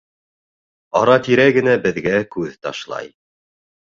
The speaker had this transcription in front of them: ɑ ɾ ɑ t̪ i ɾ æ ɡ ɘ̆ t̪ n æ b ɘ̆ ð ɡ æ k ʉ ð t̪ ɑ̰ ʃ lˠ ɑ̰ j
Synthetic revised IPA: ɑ ɾ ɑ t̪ i ɾ æ ɡ ɘ̆ n æ b ɘ̆ ð ɡ æ k ʉ ð t̪ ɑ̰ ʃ lˠ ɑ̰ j